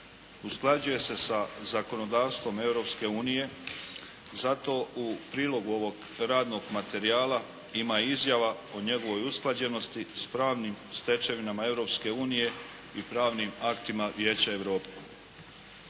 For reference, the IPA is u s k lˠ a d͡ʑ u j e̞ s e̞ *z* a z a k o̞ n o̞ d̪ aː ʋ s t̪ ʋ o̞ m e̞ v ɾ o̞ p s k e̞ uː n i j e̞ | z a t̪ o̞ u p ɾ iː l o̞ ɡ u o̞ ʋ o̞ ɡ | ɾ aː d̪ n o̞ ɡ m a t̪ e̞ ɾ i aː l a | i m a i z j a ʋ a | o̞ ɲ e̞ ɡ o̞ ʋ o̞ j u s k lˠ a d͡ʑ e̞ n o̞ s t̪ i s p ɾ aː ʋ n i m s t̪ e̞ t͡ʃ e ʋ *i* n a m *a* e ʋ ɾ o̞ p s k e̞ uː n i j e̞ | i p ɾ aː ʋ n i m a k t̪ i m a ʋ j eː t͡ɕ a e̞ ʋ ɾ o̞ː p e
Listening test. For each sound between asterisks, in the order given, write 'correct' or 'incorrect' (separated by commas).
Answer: incorrect, correct, correct